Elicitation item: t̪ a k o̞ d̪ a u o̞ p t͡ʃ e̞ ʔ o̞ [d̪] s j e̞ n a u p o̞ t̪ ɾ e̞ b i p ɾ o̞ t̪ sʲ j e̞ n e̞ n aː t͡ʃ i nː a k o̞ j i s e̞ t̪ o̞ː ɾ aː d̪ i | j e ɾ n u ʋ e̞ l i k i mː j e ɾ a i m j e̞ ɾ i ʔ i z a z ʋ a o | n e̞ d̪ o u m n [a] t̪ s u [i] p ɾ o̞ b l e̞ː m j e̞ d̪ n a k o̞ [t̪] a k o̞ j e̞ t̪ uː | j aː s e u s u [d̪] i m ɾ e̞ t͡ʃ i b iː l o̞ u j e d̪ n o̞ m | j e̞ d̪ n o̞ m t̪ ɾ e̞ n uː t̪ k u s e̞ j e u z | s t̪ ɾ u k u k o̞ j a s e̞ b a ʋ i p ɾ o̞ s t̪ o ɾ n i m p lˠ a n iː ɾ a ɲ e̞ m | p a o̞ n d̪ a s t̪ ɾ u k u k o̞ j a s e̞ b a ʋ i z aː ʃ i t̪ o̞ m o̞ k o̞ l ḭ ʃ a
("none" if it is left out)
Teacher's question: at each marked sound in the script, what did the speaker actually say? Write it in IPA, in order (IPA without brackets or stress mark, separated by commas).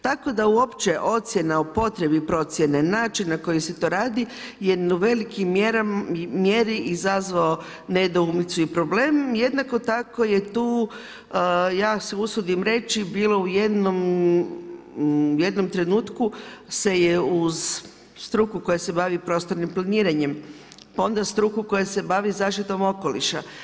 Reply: t̪, i, i, t̪, d̪